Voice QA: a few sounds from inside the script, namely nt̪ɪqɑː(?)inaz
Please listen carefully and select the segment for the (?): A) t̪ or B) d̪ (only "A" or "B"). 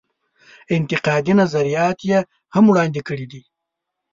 B